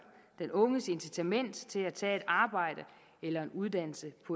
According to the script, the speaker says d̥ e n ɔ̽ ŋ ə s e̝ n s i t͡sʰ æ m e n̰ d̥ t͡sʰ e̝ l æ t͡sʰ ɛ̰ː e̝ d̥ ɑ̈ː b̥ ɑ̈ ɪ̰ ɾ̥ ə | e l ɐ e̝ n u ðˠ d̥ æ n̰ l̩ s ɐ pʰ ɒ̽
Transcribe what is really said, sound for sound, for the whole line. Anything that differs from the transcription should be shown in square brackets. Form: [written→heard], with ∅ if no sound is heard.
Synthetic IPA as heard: d̥ e n ɔ̽ ŋ ə s e̝ n s i t͡sʰ æ m e n̰ d̥ t͡sʰ e̝ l æ t͡sʰ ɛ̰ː e̝ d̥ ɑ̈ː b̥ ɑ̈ ɪ̰ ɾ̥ ə | e l ɐ e̝ n u ðˠ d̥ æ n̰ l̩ s [ɐ→ə] pʰ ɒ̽